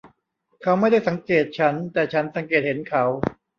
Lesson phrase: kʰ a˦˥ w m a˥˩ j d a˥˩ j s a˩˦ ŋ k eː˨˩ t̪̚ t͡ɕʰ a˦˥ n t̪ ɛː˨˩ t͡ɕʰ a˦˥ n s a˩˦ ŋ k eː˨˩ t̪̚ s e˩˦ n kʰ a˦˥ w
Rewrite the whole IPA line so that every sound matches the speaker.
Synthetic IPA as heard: kʰ a˦˥ w m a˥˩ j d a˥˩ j s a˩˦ ŋ k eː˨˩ t̪̚ t͡ɕʰ a˦˥ n t̪ ɛː˨˩ t͡ɕʰ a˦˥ n s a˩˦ ŋ k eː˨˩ t̪̚ h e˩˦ n kʰ a˦˥ w